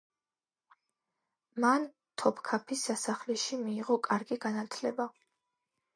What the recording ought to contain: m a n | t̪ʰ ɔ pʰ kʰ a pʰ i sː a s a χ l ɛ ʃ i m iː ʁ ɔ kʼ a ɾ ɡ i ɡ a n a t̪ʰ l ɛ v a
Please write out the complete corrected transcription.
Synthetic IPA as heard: m a n | t̪ʰ ɔ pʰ kʰ a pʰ i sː a s a χ l ɛ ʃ i m iː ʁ ɔ kʼ a ɾ ɡ i ɡ a n a t̪ʰ l ɛ b a